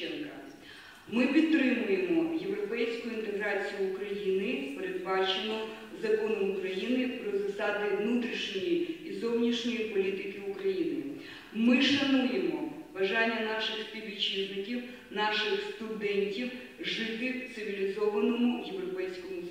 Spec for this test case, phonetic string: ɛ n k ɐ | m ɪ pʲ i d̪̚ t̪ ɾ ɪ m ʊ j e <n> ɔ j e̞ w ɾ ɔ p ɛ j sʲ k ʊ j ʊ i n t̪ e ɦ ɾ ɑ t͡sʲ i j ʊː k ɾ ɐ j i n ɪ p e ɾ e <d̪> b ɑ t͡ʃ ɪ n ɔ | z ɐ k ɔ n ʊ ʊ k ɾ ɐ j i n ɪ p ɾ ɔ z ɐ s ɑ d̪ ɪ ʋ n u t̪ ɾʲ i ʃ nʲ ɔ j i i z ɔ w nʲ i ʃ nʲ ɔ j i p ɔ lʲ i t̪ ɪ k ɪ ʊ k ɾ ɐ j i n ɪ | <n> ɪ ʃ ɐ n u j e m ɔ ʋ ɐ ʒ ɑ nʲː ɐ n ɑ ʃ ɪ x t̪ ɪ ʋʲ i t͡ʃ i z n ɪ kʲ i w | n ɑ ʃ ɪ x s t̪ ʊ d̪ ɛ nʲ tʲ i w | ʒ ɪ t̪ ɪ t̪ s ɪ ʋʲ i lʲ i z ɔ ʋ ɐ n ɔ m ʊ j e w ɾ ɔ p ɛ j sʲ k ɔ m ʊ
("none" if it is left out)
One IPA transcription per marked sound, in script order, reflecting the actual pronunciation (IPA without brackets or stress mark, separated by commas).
m, d̪, m